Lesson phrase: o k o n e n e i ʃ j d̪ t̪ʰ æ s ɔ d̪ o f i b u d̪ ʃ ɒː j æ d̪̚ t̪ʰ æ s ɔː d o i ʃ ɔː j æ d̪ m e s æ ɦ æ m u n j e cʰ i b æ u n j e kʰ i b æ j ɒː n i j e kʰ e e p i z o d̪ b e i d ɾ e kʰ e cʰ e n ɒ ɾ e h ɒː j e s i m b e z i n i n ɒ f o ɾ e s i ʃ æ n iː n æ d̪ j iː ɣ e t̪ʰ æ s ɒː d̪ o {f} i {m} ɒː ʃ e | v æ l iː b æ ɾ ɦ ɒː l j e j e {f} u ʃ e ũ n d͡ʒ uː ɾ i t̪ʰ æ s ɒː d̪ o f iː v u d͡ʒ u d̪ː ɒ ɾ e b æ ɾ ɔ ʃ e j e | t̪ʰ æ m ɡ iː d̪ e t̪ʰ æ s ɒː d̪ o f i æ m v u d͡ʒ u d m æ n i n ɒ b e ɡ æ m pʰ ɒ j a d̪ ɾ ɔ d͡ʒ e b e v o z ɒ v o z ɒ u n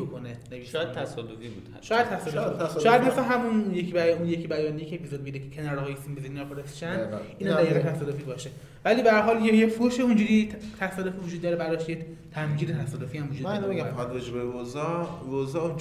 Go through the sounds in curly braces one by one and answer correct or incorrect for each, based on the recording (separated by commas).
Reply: correct, incorrect, correct